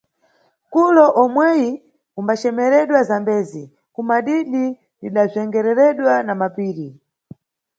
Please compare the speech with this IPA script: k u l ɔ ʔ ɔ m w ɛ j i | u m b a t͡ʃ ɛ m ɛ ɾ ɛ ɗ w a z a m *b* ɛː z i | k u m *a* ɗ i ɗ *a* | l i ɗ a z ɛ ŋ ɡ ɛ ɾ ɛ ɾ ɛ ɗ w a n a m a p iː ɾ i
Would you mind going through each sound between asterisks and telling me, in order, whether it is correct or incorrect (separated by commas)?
correct, correct, incorrect